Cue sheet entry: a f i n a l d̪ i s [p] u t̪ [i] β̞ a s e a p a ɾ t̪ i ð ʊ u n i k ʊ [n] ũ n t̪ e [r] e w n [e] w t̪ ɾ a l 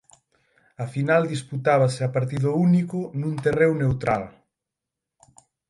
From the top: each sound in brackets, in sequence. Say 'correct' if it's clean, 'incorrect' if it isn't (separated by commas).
correct, incorrect, correct, correct, correct